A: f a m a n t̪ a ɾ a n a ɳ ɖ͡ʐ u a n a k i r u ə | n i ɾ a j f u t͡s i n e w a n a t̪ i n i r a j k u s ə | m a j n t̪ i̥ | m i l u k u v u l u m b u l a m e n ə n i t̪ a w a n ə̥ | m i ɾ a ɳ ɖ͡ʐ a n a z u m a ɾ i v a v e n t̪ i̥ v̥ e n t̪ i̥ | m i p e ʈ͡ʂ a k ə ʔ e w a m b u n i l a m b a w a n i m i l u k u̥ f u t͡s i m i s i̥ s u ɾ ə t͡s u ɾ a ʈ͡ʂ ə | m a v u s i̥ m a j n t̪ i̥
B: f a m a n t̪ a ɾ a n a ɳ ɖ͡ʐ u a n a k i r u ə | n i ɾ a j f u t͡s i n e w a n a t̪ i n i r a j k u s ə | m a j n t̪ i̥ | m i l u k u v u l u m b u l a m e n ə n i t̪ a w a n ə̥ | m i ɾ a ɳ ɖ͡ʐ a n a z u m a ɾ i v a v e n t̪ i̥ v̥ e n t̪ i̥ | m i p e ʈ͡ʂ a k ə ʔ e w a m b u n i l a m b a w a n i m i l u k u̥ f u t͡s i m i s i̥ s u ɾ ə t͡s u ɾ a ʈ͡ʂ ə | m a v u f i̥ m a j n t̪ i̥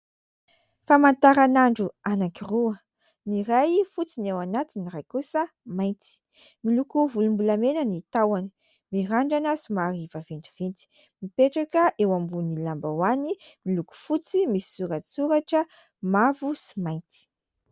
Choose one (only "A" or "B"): A